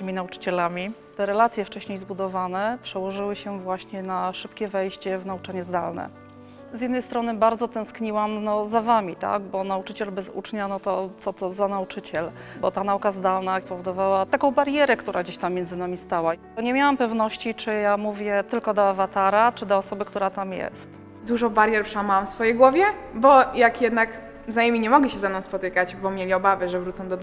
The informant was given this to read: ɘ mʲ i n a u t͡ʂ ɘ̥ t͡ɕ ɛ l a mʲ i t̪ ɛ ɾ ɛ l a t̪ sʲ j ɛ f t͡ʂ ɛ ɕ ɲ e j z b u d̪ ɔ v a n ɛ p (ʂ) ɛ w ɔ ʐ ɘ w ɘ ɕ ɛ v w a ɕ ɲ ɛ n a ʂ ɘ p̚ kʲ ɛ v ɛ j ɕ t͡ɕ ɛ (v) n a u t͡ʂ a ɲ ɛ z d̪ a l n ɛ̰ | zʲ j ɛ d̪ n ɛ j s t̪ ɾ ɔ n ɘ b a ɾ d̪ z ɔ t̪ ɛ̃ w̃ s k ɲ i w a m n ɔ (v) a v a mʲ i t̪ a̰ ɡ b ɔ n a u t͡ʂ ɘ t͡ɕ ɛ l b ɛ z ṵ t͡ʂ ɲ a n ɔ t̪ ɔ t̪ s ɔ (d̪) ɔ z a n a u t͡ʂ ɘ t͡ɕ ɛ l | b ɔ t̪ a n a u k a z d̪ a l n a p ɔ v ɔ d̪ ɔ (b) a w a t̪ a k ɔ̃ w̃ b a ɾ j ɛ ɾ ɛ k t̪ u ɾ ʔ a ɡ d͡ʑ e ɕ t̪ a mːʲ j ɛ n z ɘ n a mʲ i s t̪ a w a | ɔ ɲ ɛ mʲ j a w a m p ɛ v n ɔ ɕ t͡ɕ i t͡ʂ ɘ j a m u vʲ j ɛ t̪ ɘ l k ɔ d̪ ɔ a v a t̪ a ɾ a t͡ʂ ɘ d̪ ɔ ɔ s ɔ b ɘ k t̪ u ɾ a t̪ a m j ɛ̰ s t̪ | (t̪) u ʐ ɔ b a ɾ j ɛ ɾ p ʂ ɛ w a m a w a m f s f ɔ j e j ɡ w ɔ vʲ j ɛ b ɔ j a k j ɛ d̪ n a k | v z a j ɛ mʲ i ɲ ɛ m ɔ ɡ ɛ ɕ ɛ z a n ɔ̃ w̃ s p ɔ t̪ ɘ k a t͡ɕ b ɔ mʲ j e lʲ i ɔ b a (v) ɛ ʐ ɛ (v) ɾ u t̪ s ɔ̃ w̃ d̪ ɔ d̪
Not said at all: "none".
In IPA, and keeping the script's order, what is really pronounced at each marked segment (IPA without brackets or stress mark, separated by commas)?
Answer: ʂ, v, z, t̪, v, d̪, v, v